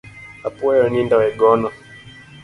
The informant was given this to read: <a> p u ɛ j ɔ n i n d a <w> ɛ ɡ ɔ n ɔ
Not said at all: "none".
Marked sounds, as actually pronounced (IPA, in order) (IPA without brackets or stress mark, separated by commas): a, w